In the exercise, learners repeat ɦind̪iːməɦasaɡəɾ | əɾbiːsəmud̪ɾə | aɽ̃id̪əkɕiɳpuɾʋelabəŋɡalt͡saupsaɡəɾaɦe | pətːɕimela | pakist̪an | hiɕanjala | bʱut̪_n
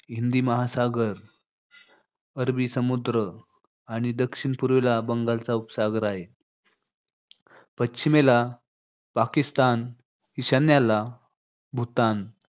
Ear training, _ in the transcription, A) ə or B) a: B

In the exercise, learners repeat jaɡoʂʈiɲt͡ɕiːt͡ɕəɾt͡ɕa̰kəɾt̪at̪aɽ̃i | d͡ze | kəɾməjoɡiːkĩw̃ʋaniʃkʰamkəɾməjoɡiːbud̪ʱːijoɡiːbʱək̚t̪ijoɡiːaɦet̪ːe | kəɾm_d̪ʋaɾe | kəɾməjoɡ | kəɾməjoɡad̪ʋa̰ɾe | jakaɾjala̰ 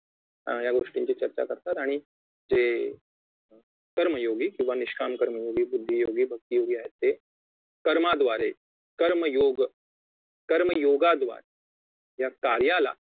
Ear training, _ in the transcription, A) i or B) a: B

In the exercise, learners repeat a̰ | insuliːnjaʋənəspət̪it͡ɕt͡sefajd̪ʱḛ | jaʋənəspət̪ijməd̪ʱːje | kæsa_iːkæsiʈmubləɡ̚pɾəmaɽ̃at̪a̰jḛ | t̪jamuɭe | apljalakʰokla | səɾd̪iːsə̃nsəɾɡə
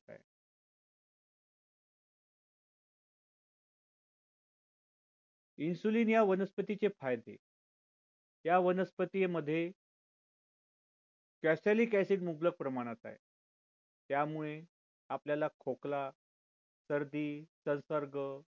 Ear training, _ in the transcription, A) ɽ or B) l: B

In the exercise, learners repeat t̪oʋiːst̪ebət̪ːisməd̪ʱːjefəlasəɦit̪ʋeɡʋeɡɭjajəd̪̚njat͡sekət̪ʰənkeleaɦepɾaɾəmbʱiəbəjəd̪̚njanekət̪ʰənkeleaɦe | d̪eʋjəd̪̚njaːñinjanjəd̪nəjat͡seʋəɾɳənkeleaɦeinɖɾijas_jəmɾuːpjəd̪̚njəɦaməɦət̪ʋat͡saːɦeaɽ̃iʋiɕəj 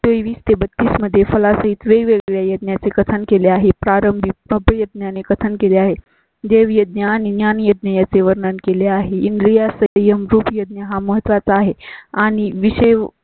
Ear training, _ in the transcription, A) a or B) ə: B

